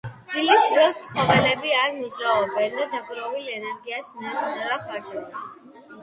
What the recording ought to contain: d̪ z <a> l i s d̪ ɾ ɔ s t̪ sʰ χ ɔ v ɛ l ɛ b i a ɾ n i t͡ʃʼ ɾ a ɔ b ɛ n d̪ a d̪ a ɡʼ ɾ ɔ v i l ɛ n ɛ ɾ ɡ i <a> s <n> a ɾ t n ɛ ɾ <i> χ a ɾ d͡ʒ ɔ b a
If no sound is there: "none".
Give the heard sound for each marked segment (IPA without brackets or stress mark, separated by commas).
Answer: i, a, n, a